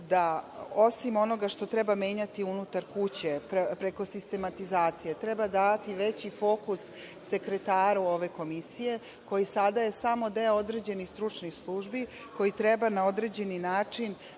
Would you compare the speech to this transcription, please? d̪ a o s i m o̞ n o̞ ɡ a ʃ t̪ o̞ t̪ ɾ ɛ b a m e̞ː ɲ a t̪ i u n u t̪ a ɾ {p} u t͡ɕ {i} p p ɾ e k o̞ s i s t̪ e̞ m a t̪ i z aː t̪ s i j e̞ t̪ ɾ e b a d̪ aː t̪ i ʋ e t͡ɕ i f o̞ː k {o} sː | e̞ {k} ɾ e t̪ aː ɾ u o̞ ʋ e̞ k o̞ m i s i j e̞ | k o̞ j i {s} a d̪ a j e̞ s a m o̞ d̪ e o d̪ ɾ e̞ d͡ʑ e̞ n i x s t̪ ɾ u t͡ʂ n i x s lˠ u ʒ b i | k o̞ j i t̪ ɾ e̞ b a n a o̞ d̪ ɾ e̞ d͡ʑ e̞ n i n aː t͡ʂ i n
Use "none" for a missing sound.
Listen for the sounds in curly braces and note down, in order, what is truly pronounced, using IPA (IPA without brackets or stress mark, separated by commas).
k, e, u, k, s